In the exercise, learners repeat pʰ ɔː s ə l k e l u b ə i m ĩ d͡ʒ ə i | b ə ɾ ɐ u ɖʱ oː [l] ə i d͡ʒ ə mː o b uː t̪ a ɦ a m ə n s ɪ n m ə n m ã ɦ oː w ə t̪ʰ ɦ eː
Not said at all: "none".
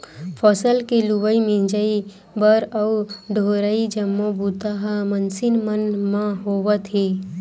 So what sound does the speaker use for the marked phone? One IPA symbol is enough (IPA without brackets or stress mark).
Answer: ɾ